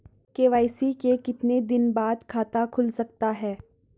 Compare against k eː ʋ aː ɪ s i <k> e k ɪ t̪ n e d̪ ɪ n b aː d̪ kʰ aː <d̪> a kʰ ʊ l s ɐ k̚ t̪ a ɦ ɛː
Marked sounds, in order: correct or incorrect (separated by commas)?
correct, incorrect